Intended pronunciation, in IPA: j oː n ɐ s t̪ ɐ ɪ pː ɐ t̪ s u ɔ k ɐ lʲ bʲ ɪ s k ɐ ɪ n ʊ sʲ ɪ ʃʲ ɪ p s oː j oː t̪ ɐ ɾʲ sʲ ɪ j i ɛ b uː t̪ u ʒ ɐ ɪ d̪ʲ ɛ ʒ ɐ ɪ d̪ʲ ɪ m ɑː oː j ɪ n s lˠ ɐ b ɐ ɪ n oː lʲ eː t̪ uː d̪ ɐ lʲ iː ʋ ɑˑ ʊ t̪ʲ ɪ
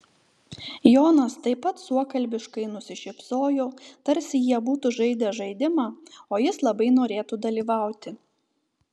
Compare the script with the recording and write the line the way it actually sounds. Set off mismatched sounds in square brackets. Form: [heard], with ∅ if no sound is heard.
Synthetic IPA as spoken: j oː n ɐ s t̪ ɐ ɪ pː ɐ t̪ s u ɔ k ɐ lʲ bʲ ɪ [ʃ] k ɐ ɪ n ʊ sʲ ɪ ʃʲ ɪ p s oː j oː t̪ ɐ ɾʲ sʲ ɪ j i ɛ b uː t̪ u ʒ ɐ ɪ d̪ʲ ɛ ʒ ɐ ɪ d̪ʲ ɪ m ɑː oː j ɪ [∅] s lˠ ɐ b ɐ ɪ n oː [ɾʲ] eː t̪ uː d̪ ɐ lʲ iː ʋ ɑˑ ʊ t̪ʲ ɪ